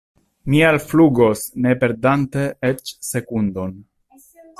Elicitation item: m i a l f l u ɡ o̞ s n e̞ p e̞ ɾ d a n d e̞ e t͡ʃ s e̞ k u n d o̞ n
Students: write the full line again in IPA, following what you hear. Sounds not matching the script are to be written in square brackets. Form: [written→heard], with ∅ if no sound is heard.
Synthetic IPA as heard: m i a l f l u ɡ o̞ s n e̞ p e̞ ɾ d a n [d→t] e̞ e t͡ʃ s e̞ k u n d o̞ n